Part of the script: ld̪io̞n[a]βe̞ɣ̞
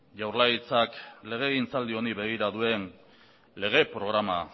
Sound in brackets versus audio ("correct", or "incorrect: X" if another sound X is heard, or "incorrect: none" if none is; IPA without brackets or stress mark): incorrect: i